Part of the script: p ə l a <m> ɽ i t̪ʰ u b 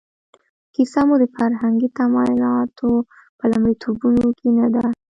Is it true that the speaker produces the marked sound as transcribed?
yes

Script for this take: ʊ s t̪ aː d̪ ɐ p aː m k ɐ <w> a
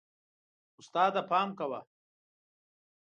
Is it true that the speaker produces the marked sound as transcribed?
yes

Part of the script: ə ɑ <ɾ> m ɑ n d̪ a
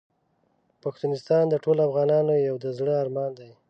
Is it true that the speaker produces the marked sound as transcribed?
yes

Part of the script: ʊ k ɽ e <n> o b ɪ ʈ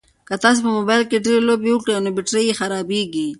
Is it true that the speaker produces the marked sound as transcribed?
yes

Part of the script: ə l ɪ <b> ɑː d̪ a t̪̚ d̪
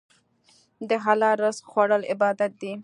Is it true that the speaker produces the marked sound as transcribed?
yes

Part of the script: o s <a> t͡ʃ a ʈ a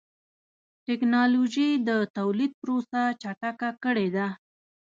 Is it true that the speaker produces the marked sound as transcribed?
yes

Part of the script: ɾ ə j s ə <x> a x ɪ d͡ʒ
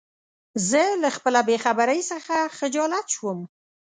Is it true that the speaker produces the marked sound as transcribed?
yes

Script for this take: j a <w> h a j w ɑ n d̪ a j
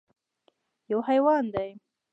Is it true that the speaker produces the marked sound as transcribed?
yes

